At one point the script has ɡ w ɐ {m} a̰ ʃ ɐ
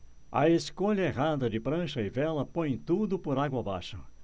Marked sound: incorrect: b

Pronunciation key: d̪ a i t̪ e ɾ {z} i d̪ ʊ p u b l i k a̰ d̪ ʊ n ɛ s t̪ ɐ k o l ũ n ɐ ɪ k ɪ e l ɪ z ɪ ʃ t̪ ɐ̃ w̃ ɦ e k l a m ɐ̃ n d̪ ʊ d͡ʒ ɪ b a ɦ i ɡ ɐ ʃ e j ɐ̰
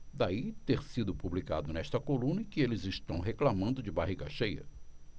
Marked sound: incorrect: s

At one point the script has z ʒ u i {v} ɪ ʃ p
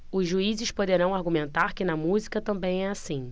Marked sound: incorrect: z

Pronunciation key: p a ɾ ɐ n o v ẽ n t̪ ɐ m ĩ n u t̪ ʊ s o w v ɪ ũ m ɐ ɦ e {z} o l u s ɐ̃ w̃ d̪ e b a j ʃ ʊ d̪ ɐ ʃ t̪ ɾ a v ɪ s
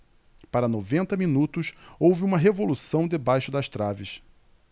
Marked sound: incorrect: v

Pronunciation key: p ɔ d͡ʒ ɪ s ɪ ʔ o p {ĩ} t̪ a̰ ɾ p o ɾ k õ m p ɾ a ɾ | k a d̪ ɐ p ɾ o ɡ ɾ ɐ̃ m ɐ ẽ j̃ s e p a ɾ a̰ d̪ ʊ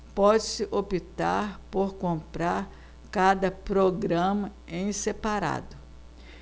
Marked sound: incorrect: i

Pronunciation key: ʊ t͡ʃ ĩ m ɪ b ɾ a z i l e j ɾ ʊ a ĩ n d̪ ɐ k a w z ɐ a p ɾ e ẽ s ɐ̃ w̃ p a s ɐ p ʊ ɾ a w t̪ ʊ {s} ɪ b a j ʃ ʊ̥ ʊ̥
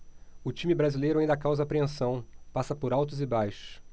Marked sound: incorrect: z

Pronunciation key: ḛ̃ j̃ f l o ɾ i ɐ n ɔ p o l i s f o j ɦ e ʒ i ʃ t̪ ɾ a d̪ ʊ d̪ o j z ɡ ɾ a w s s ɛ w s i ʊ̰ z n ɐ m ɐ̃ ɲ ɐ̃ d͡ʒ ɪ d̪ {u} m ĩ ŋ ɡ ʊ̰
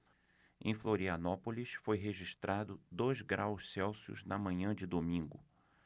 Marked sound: incorrect: o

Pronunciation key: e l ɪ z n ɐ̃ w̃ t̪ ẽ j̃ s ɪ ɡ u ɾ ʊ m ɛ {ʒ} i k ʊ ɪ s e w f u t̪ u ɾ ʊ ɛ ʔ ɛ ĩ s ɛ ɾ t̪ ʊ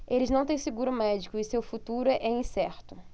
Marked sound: incorrect: d͡ʒ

